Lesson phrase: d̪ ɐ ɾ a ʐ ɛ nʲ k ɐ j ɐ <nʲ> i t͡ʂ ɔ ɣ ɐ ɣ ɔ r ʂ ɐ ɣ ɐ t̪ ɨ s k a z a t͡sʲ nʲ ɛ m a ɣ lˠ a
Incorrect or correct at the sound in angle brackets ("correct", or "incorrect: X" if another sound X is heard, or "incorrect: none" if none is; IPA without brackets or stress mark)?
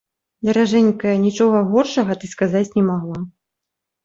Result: correct